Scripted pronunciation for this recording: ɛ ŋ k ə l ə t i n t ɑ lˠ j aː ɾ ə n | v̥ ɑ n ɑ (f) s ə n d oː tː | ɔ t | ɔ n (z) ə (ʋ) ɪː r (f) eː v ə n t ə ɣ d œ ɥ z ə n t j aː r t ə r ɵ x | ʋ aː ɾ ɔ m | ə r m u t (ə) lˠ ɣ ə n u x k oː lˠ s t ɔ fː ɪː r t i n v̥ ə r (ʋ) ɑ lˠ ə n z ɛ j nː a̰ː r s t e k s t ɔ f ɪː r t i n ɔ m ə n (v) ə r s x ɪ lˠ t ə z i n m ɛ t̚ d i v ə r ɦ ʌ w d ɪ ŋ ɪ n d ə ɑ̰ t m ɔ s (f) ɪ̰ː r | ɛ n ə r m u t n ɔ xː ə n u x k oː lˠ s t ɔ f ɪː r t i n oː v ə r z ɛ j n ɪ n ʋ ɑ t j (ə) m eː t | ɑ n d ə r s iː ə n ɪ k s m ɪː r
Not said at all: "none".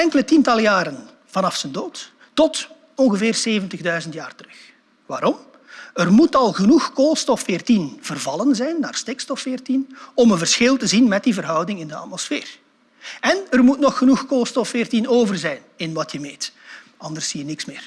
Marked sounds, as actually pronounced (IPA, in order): f, ɣ, v, s, ɑ, v, v, f, ə

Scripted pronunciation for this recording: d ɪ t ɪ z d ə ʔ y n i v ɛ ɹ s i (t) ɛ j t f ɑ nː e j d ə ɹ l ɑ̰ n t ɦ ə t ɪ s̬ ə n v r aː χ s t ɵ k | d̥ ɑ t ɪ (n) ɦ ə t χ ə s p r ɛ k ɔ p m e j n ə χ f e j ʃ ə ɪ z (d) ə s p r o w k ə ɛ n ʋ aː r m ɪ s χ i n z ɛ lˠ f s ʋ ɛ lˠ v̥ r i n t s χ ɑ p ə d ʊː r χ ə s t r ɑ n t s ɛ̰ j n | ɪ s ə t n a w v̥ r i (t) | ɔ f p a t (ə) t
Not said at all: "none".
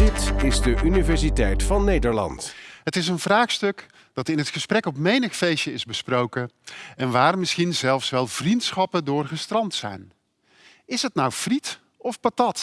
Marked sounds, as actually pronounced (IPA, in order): t, n, b, t, ɑ

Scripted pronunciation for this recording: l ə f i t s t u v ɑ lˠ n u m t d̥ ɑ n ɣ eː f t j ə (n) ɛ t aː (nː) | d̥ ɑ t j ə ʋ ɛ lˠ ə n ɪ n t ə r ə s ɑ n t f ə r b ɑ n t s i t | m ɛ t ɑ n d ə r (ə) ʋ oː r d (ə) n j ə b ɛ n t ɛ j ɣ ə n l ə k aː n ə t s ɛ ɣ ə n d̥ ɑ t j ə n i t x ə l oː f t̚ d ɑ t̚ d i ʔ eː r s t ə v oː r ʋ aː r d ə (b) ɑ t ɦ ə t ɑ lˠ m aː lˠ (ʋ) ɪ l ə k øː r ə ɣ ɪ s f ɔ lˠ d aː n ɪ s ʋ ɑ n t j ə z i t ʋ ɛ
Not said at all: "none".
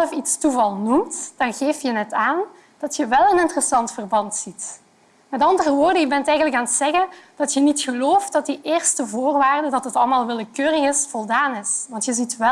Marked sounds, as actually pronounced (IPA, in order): n, n, ə, ə, d, ʋ

